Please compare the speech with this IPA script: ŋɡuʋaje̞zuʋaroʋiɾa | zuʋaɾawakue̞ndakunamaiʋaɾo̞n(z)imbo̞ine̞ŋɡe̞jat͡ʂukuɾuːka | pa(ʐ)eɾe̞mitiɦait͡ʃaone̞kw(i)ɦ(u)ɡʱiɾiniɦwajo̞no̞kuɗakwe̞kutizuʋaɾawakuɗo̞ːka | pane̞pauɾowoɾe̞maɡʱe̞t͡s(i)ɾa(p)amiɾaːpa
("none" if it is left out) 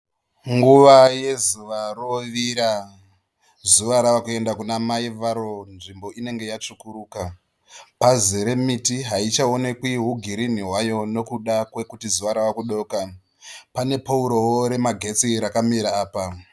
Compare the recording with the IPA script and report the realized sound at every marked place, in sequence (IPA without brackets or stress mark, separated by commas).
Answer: ʐ, z, i, u, i, k